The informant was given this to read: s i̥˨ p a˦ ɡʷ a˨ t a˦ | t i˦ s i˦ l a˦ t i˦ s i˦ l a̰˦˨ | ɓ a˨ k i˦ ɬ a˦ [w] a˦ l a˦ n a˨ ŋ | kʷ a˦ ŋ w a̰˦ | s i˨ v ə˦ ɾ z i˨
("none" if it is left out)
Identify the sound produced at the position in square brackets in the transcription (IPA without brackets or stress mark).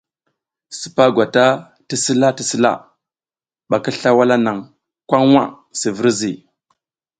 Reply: w